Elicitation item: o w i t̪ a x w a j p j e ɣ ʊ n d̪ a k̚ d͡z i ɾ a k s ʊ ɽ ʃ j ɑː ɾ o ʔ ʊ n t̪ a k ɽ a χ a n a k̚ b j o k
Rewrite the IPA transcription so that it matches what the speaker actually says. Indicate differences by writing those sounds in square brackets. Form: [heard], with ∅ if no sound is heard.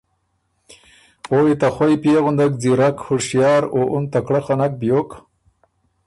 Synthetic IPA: o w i t̪ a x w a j p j e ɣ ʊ n d̪ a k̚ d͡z i ɾ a k [h] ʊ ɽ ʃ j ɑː ɾ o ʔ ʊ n t̪ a k ɽ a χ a n a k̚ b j o k